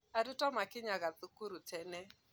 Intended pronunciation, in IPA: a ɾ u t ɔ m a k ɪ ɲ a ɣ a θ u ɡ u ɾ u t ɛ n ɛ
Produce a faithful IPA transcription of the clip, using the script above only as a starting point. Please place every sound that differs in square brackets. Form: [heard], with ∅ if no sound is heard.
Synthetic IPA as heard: a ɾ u t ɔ m a k ɪ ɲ a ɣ a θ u [k] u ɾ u t ɛ n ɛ